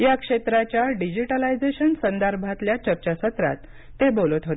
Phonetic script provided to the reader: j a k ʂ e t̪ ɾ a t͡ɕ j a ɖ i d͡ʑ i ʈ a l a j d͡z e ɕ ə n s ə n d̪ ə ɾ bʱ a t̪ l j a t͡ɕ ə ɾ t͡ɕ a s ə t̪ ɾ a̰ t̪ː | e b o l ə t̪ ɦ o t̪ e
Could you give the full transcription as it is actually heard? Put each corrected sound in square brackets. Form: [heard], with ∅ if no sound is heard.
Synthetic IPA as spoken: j a k ʂ e t̪ ɾ a t͡ɕ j a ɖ i d͡ʑ i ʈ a l a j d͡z e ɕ ə n s ə n d̪ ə ɾ bʱ a t̪ l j a t͡ɕ ə ɾ t͡ɕ a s ə t̪ ɾ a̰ t̪ː | e b o l ə t̪ ɦ o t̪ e